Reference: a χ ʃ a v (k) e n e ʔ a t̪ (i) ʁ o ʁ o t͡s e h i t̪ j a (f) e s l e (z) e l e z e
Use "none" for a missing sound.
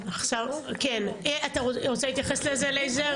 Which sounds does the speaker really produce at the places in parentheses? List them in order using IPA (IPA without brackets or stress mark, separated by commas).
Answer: k, a, χ, z